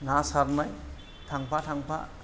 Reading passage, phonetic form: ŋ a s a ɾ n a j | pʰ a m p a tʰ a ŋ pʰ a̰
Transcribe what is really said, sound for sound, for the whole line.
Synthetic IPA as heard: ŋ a s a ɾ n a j | tʰ a ŋ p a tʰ a ŋ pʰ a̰